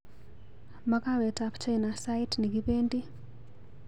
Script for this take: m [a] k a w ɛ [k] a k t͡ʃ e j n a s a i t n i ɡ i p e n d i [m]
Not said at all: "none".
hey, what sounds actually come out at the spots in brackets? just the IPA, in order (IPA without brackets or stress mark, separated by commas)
a, t, none